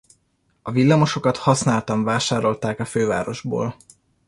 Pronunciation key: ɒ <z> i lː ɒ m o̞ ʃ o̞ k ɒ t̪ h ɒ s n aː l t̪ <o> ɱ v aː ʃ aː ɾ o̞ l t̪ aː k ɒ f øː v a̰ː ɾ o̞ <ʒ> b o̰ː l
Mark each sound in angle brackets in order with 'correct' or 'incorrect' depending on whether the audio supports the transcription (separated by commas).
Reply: incorrect, incorrect, correct